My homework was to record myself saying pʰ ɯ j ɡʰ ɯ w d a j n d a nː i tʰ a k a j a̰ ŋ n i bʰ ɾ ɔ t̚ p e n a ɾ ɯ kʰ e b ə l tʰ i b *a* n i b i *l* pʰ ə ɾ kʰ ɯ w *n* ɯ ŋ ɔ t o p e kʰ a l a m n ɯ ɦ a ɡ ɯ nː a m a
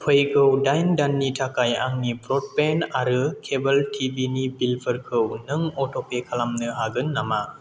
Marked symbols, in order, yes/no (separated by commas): no, yes, yes